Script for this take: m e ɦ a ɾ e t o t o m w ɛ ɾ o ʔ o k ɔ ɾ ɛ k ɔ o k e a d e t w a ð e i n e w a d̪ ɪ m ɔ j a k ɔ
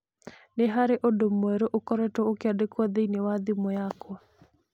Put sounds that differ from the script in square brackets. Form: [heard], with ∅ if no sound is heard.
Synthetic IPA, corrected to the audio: [n] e ɦ a ɾ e [ʔ] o [d] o m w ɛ ɾ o ʔ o k ɔ ɾ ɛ [t] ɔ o k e a d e [k] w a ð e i n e w a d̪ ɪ m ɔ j a k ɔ